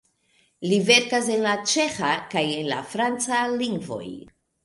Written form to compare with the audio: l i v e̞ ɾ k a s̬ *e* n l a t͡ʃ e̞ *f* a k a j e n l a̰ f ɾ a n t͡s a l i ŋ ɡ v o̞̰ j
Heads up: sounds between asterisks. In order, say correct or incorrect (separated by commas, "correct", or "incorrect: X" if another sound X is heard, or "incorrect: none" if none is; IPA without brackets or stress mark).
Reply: correct, incorrect: x